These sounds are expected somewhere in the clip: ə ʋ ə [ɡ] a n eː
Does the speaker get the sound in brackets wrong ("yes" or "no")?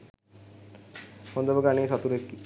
no